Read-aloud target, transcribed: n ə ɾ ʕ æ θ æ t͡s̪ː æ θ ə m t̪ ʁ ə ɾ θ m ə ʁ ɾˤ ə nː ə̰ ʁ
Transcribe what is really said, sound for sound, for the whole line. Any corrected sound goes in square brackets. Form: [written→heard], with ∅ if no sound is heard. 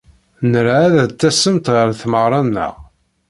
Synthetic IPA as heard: n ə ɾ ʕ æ [θ→ð] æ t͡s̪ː æ [θ→s] ə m t̪ ʁ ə ɾ θ m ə ʁ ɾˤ [ə→ɑ] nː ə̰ ʁ